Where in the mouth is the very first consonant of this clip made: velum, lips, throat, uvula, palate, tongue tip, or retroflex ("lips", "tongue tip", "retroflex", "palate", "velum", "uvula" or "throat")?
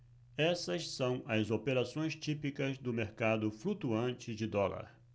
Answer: tongue tip